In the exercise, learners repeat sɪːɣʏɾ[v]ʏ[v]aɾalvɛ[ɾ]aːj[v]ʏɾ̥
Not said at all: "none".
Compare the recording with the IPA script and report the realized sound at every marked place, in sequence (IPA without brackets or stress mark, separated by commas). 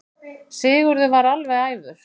ð, v, none, v